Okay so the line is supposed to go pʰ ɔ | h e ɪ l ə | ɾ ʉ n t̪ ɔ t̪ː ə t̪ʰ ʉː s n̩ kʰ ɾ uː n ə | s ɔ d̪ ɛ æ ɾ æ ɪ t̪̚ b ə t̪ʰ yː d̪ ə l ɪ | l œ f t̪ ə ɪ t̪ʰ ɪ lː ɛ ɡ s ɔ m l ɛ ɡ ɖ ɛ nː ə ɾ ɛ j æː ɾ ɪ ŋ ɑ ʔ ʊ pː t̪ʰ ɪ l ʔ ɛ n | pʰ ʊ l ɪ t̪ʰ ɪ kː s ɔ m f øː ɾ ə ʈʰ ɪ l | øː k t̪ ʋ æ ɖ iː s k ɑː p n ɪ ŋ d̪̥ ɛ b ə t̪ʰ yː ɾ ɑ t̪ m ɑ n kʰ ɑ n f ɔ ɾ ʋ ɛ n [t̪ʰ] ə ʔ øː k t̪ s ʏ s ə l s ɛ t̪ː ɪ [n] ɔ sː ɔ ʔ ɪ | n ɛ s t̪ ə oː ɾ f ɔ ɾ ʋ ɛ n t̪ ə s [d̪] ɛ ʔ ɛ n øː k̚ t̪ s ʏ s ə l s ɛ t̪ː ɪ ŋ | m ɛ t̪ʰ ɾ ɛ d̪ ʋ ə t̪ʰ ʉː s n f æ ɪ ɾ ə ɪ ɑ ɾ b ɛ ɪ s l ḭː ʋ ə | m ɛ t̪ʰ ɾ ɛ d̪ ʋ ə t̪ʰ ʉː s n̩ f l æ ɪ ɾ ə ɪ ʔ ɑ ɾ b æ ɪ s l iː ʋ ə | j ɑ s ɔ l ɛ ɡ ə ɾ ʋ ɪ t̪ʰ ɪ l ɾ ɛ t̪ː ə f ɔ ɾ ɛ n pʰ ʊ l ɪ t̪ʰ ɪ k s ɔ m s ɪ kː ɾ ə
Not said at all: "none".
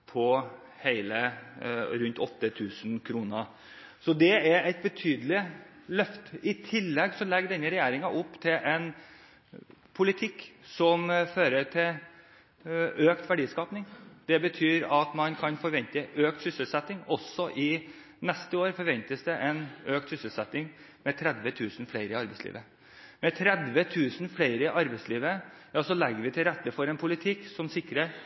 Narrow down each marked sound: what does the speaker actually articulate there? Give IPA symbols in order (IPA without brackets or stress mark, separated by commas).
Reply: t̪, ŋ, d̪